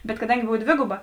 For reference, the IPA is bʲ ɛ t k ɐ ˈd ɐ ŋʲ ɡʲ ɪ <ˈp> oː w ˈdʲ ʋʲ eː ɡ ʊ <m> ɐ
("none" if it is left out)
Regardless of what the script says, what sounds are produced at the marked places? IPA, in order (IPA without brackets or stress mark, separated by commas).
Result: b, b